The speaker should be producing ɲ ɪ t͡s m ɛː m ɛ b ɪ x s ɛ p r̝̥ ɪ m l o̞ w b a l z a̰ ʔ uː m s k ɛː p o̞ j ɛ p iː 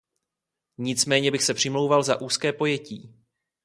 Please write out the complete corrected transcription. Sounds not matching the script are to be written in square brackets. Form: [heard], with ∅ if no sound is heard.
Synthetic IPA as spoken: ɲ ɪ t͡s m ɛː [ɲ] ɛ b ɪ x s ɛ p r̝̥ ɪ m l o̞ w [v] a l z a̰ ʔ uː [∅] s k ɛː p o̞ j ɛ [c] iː